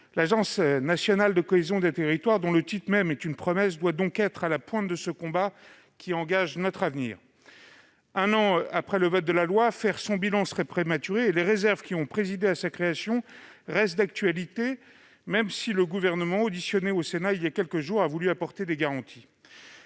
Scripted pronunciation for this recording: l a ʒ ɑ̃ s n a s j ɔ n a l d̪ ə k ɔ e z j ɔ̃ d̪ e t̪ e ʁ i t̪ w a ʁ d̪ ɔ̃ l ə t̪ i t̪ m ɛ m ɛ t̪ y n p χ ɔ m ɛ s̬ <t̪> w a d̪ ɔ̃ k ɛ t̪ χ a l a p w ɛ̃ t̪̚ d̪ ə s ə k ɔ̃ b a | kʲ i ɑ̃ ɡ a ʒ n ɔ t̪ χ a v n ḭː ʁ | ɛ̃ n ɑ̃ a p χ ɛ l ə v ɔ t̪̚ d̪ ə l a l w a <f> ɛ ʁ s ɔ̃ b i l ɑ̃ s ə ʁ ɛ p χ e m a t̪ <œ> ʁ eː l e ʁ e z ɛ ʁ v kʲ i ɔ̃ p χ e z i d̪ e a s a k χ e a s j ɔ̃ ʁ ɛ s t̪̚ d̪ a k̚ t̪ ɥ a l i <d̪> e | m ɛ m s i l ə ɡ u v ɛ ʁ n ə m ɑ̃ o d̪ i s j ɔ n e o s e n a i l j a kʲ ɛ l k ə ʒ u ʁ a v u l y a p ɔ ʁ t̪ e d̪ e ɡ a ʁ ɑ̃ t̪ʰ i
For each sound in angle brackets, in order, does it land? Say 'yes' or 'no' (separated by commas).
no, yes, no, no